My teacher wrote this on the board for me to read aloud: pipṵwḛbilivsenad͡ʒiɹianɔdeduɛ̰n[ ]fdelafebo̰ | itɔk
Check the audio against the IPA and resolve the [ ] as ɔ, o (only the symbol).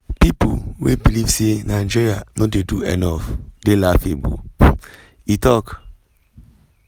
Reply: ɔ